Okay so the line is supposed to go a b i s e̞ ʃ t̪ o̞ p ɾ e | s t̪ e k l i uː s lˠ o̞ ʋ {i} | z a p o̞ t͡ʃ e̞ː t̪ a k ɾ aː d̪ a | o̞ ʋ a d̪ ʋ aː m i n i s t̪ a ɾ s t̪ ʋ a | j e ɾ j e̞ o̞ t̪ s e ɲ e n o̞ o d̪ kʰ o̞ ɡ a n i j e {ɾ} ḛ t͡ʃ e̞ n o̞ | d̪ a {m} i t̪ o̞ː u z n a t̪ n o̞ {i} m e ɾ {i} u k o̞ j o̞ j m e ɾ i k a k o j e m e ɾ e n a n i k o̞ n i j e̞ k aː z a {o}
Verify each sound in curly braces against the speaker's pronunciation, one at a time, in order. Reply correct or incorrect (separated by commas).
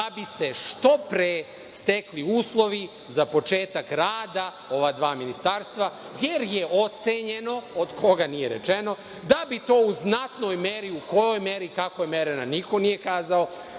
correct, correct, incorrect, incorrect, correct, correct